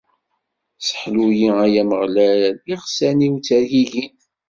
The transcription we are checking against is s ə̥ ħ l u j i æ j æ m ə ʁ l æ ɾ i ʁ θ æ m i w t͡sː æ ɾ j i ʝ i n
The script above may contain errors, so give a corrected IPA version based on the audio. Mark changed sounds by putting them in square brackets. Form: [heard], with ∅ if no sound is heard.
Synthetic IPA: s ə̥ ħ l u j i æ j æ m ə ʁ l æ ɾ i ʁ [s] æ [n] i w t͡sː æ ɾ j i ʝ i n